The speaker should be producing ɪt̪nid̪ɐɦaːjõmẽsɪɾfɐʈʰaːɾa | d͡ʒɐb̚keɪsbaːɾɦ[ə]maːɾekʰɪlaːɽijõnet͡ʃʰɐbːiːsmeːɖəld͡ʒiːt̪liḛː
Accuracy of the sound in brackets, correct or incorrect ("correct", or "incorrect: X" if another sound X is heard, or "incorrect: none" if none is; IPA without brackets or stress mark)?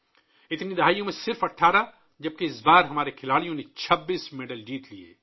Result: incorrect: ɐ